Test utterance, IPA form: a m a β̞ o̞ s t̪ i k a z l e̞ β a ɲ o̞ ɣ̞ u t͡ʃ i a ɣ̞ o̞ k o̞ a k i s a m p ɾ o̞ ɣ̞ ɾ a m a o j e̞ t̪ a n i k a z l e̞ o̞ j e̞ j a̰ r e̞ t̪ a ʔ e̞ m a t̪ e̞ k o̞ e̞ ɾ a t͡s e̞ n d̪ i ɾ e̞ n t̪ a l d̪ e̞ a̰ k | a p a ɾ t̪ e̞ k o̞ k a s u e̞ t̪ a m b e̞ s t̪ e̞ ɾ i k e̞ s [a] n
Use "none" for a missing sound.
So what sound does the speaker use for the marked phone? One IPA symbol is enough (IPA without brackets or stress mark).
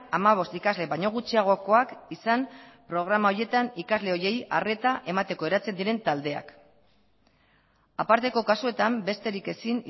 i